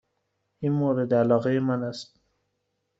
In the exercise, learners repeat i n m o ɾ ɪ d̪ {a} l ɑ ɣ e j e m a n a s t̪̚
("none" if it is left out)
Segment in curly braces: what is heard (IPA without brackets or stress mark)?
a